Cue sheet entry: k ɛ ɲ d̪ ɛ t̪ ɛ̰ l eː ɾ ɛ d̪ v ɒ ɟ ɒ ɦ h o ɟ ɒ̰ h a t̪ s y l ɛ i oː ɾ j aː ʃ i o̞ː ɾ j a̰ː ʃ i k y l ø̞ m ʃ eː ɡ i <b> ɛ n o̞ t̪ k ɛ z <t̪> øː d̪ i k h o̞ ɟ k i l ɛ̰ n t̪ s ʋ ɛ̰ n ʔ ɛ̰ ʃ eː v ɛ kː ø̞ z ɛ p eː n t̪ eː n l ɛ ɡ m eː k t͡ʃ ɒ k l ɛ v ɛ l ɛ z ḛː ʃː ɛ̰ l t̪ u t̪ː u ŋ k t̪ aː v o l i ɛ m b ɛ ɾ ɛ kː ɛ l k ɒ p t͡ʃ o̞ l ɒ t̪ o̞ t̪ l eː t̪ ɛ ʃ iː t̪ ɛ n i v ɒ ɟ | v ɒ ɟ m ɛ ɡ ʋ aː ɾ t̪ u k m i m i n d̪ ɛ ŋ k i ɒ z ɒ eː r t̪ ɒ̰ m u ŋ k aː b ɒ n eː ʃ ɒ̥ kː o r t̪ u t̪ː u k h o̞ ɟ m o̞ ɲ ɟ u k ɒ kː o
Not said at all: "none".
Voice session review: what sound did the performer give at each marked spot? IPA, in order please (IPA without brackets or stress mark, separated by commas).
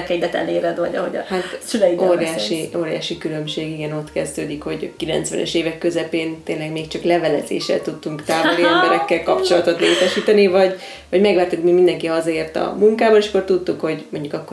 ɡ, d̪